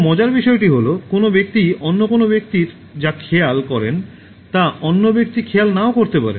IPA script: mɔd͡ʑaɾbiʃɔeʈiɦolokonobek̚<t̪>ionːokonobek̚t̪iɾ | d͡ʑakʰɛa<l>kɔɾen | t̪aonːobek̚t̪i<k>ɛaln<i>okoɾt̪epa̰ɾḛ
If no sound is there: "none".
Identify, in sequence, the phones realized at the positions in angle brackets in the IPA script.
t̪, l, kʰ, a

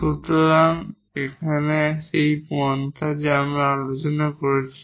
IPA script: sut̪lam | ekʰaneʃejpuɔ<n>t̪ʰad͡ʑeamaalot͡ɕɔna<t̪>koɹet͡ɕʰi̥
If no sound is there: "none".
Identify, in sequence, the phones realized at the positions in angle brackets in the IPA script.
n, none

